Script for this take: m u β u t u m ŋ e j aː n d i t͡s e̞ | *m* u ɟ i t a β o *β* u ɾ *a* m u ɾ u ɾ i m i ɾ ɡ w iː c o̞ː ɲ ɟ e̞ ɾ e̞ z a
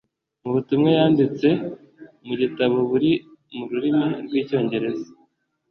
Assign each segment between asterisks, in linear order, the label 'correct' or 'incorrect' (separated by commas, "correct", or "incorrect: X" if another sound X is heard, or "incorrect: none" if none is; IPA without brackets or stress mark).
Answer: correct, correct, incorrect: i